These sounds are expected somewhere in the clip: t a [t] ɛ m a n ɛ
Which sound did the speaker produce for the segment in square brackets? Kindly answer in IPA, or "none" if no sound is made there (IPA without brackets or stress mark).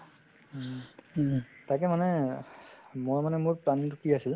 k